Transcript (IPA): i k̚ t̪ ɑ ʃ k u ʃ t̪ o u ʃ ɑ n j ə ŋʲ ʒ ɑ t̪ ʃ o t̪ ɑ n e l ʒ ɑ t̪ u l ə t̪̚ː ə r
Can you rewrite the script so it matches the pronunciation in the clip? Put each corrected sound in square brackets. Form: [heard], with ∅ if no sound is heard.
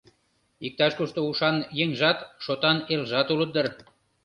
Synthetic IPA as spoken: i k̚ t̪ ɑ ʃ k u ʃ t̪ o u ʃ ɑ n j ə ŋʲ ʒ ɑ t̪ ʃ o t̪ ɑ n e l ʒ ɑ t̪ u l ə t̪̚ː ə r